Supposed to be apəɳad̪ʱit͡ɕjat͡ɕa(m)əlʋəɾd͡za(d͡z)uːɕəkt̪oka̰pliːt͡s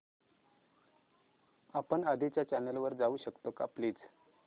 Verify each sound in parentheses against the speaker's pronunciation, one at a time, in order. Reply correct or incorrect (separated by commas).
incorrect, incorrect